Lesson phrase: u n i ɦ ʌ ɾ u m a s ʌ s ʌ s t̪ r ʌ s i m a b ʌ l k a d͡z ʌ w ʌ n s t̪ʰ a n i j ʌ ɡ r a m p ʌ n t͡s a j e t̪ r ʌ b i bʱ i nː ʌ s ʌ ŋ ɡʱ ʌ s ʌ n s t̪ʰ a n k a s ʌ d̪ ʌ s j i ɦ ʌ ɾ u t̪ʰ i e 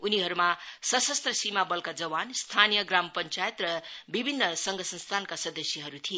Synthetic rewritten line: u n i ɦ ʌ ɾ u m a s ʌ s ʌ s t̪ r ʌ s i m a b ʌ l k a d͡z ʌ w a n s t̪ʰ a n i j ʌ ɡ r a m p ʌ n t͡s a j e t̪ r ʌ b i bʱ i nː ʌ s ʌ ŋ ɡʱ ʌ s ʌ n s t̪ʰ a n k a s ʌ d̪ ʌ s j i ɦ ʌ ɾ u t̪ʰ i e